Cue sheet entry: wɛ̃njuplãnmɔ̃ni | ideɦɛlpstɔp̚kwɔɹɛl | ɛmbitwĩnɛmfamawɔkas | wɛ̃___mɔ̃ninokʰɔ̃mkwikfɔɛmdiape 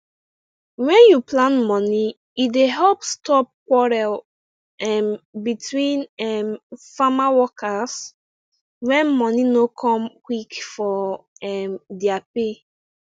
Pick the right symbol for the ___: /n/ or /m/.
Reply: n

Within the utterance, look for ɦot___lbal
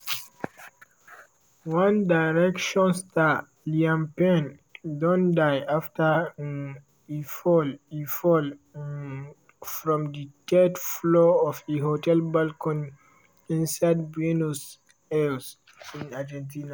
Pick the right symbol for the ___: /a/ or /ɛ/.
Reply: ɛ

